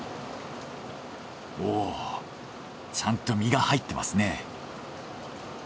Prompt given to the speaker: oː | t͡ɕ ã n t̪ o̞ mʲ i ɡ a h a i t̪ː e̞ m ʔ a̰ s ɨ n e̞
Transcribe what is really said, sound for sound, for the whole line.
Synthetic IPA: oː | t͡ɕ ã n t̪ o̞ mʲ i ɡ a h a i t̪ː e̞ m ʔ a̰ s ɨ n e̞